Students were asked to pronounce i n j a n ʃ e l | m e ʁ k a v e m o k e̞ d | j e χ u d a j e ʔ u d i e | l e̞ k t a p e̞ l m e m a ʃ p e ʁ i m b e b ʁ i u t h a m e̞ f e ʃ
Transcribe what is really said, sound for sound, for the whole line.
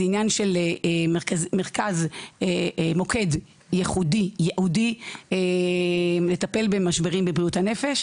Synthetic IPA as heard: i n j a n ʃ e l | m e ʁ k a z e m o k e̞ d | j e χ u d i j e ʔ u d i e | l e̞ t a p e̞ l b e m a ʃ b e ʁ i m b e b ʁ i u t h a n e̞ f e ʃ